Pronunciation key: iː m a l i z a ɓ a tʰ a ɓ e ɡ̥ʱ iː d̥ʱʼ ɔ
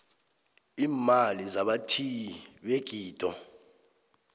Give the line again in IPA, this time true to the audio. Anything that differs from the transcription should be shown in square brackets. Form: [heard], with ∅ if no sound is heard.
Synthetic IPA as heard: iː m a l i z a ɓ a tʰ [i] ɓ e ɡ̥ʱ iː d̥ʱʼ ɔ